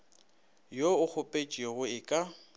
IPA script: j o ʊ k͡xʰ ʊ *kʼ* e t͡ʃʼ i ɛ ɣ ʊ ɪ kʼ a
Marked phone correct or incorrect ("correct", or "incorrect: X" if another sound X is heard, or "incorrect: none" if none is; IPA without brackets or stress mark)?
incorrect: pʼ